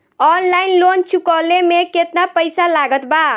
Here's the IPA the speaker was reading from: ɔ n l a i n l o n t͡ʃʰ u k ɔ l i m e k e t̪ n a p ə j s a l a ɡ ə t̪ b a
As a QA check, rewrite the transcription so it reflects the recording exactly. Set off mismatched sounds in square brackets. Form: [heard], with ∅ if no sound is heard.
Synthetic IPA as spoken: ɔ n l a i n l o n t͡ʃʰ u k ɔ l [e] m e k e t̪ n a p ə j s a l a ɡ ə t̪ b a